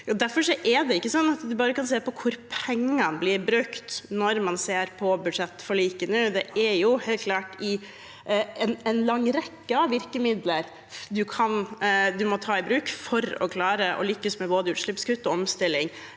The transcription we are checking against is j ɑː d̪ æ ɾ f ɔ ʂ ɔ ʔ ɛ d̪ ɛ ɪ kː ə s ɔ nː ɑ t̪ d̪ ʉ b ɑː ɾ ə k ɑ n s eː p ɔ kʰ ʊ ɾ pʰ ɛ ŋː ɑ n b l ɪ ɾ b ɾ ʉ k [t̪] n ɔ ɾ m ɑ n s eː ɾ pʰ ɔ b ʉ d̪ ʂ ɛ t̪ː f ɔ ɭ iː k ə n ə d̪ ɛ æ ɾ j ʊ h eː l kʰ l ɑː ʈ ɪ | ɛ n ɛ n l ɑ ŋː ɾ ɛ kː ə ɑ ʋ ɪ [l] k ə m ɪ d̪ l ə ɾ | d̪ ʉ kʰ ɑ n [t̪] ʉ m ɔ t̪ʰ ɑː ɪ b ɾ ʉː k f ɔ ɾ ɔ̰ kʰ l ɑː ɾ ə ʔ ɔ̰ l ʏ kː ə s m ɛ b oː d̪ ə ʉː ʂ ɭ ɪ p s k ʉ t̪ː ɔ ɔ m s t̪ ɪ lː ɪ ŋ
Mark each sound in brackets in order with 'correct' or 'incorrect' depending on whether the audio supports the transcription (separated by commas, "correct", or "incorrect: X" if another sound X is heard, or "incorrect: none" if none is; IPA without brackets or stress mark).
correct, incorrect: ɾ, incorrect: d̪